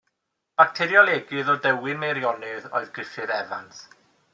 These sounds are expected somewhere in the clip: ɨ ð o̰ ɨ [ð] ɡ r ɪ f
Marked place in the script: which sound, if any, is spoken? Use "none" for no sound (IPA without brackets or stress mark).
ð